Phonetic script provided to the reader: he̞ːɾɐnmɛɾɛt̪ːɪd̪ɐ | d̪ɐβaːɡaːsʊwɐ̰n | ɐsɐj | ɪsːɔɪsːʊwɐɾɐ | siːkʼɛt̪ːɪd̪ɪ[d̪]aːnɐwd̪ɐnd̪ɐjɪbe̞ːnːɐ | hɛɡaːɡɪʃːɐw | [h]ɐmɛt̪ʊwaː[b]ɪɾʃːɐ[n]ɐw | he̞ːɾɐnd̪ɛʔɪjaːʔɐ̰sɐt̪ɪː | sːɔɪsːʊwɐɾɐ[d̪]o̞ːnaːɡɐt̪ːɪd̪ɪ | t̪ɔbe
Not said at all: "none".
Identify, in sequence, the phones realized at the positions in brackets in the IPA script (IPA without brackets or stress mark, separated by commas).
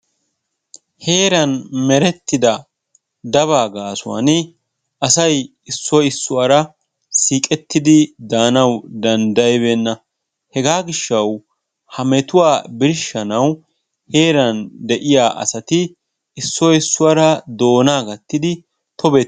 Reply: d̪, h, b, n, d̪